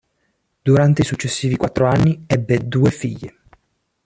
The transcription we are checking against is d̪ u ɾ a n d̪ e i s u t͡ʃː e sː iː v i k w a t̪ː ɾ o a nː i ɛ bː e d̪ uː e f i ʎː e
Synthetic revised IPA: d̪ u ɾ a n t̪ e i s u t͡ʃː e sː iː v i k w a t̪ː ɾ o a nː i ɛ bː e d̪ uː e f i ʎː e